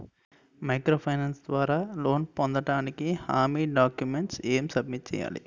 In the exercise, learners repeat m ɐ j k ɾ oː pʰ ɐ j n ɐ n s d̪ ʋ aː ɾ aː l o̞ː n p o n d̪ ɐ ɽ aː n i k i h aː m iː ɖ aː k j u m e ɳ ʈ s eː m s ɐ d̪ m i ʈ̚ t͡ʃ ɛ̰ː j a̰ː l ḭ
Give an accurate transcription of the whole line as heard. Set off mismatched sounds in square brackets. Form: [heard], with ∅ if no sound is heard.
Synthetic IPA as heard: m ɐ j k ɾ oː pʰ ɐ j n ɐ n s d̪ ʋ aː ɾ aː l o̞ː n p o n d̪ ɐ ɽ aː n i k i h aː m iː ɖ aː k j u m e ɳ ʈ s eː m s ɐ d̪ m i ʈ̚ t͡ʃ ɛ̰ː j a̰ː l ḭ